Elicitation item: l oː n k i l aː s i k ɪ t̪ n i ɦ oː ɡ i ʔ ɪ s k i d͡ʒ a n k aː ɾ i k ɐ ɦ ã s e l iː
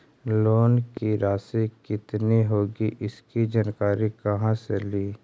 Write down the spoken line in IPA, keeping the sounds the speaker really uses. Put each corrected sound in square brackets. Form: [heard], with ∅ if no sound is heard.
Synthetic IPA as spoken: l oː n k i [ɾ] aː s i k ɪ t̪ n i ɦ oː ɡ i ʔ ɪ s k i d͡ʒ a n k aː ɾ i k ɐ ɦ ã s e l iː